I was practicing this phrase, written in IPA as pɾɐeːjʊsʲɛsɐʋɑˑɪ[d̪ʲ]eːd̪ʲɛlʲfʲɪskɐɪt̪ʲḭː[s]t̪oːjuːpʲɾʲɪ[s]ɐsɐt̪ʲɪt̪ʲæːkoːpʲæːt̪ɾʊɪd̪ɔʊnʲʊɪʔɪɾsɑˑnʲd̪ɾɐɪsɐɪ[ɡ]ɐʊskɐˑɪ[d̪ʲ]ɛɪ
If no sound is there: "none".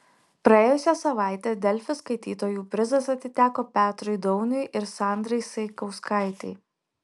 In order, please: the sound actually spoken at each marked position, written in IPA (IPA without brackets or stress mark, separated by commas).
t̪ʲ, none, z, k, t̪ʲ